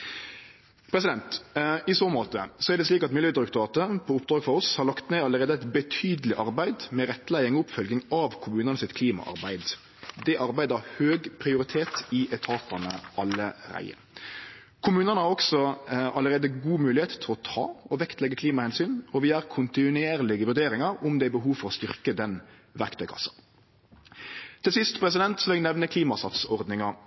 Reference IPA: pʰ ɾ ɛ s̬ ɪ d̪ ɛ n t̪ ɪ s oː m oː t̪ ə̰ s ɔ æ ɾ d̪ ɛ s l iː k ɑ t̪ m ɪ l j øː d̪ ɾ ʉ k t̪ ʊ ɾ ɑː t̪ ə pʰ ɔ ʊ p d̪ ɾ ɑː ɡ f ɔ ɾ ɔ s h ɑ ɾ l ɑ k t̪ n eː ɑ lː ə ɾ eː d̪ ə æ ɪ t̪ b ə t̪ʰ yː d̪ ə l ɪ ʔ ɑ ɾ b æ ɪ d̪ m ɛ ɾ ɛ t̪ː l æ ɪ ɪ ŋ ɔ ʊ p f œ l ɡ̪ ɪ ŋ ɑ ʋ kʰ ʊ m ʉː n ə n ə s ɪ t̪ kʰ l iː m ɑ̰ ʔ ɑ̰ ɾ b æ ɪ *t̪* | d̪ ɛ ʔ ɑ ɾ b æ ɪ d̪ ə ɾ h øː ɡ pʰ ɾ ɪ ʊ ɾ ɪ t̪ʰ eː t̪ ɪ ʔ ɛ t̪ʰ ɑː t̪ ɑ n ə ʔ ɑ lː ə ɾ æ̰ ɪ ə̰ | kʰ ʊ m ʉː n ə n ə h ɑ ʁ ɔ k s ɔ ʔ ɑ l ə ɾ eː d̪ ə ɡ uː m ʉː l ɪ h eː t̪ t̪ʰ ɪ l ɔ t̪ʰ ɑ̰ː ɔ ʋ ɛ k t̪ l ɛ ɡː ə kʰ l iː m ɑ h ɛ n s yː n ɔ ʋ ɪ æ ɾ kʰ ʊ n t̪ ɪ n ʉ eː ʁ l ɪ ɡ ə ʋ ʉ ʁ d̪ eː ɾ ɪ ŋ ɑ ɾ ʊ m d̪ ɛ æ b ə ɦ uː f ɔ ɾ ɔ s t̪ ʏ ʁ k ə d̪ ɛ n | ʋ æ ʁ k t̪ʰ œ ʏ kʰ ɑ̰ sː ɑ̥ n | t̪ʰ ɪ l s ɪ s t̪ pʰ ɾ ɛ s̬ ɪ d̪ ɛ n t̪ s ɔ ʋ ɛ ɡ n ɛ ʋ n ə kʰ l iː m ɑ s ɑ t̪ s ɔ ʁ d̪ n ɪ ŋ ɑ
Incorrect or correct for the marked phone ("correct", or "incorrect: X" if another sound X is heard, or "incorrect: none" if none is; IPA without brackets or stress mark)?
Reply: incorrect: d̪